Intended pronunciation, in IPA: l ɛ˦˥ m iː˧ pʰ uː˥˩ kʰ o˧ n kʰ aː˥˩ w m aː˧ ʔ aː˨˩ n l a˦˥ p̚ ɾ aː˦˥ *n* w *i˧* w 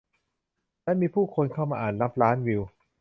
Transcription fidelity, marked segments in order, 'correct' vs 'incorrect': correct, correct

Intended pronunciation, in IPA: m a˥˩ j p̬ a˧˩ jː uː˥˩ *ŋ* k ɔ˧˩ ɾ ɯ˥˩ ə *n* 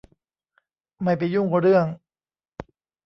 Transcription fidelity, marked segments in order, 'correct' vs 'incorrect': correct, incorrect

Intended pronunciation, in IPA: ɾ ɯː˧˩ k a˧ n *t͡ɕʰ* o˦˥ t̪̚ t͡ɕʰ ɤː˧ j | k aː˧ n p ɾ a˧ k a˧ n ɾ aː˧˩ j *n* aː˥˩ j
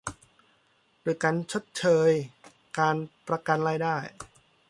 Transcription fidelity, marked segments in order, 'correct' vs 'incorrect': correct, incorrect

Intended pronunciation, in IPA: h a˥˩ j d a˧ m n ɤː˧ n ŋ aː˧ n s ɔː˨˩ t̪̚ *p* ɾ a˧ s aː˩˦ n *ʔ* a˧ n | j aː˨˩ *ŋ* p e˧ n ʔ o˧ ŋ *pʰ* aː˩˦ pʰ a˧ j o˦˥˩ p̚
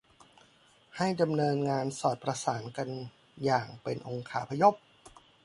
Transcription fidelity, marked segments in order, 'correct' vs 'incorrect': correct, incorrect, correct, incorrect

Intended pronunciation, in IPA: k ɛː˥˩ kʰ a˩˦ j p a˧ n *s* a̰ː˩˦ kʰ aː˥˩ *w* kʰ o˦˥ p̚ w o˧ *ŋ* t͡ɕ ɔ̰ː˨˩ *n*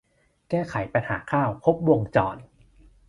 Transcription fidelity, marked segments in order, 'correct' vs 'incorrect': incorrect, correct, correct, correct

